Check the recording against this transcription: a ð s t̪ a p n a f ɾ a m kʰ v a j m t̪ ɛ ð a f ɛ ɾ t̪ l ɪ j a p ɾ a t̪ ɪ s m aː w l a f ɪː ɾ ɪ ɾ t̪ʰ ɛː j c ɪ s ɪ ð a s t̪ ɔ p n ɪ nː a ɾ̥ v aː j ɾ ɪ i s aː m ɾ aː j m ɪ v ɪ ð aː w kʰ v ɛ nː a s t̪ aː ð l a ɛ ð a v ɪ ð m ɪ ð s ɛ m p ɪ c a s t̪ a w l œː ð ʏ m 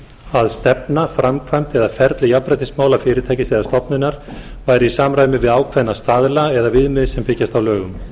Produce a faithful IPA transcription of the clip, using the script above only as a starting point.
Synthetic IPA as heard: a ð s t̪ ɛ p n a f ɾ a m kʰ v a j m t̪ ɛ ð a f ɛ ɾ t̪ l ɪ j a p ɾ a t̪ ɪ s m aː w l a f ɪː ɾ ɪ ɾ t̪ʰ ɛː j c ɪ s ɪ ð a s t̪ ɔ p n ɪ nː a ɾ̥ v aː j ɾ ɪ i s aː m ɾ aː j m ɪ v ɪ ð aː w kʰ v ɛ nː a s t̪ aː ð l a ɛ ð a v ɪ ð m ɪ ð s ɛ m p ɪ c a s t̪ a w l œː ɣ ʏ m